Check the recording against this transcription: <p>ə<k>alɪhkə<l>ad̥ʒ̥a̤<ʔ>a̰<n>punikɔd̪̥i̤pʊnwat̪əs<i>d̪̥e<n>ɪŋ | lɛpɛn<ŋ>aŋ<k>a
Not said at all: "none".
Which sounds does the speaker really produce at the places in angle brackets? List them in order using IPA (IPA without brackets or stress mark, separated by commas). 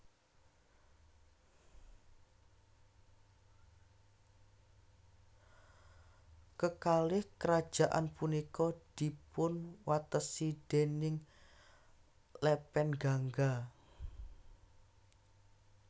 k, k, ɾ, ʔ, n, i, n, ɡ, ɡ